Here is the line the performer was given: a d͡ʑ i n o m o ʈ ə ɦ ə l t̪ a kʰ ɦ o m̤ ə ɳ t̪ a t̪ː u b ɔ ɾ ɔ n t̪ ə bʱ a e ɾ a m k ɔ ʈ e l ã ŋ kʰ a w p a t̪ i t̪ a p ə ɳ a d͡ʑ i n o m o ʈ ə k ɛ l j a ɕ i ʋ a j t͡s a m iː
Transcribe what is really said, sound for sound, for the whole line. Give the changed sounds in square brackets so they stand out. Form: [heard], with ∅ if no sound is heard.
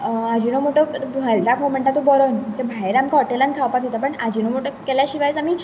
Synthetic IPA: a d͡ʑ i n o m o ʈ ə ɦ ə l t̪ a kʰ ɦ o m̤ ə ɳ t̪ a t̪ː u b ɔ ɾ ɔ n t̪ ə bʱ a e ɾ a m k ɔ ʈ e l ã [n] kʰ a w p a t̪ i t̪ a p ə ɳ a d͡ʑ i n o m o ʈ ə k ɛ l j a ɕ i ʋ a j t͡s a m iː